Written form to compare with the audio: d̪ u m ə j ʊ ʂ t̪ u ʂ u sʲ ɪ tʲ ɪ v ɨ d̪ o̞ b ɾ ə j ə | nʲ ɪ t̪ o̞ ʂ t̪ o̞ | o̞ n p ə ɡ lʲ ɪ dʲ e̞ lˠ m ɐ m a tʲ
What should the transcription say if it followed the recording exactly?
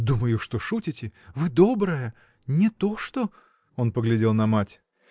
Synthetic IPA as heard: d̪ u m ə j ʊ ʂ t̪ o ʂ u tʲ ɪ tʲ ɪ v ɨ d̪ o̞ b ɾ ə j ə | nʲ ɪ t̪ o̞ ʂ t̪ o̞ | o̞ n p ə ɡ lʲ ɪ dʲ e̞ lˠ n ɐ m a tʲ